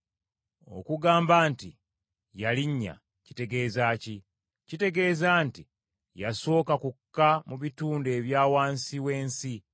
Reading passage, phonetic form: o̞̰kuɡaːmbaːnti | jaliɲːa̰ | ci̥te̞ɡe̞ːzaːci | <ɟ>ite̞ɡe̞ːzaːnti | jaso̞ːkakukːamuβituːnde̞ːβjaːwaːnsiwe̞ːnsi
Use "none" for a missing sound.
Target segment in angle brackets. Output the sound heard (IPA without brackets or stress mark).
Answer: c